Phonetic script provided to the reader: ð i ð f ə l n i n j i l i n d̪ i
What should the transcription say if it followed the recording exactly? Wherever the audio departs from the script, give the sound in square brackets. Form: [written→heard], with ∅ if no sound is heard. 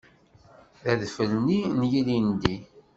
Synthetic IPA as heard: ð [i→æ] ð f ə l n i n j i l i n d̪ i